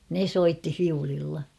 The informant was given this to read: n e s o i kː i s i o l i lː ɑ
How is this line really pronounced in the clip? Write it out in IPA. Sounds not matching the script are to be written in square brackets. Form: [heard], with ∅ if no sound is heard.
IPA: n e s o i [tː] i [f] i [u] l i lː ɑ